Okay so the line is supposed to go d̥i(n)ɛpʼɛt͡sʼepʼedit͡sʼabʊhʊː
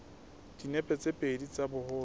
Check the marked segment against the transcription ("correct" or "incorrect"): correct